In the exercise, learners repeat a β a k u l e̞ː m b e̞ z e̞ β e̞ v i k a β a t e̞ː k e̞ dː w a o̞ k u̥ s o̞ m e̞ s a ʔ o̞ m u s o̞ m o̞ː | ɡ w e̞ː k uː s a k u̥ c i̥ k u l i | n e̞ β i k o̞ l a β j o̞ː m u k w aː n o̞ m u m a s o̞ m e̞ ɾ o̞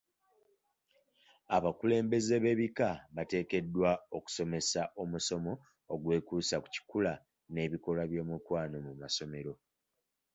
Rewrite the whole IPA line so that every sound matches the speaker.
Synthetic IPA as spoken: a β a k u l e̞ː m b e̞ z e̞ β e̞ β i k a β a t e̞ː k e̞ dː w a o̞ k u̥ s o̞ m e̞ s a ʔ o̞ m u s o̞ m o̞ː | ɡ w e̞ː k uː s a k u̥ c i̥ k u l a | n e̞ β i k o̞ l a β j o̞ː m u k w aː n o̞ m u m a s o̞ m e̞ ɾ o̞